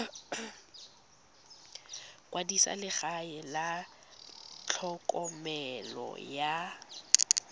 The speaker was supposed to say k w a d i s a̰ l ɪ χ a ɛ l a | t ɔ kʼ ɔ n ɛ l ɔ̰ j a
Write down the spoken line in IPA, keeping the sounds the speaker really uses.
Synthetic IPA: k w a d i s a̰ l ɪ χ a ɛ l a | t͡ɬʰ ɔ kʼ ɔ m ɛ l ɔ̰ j a